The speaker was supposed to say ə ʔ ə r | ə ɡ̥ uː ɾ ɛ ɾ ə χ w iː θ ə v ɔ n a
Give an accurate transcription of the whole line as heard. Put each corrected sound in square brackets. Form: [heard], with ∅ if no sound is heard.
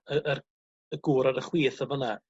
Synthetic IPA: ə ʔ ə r | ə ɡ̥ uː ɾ [a] ɾ ə χ w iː θ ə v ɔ n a